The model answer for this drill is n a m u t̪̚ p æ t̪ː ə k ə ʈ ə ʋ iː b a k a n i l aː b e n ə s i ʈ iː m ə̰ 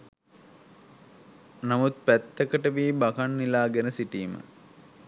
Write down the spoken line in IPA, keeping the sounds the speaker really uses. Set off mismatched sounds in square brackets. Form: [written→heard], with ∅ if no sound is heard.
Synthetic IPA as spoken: n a m u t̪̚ p æ t̪ː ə k ə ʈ ə ʋ iː b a k a [n→nː] i l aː [b→ɡ] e n ə s i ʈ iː m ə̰